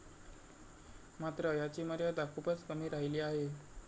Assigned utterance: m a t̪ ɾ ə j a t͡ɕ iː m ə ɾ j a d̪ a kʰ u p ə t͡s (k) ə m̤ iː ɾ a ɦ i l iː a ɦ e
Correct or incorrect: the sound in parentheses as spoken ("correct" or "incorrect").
correct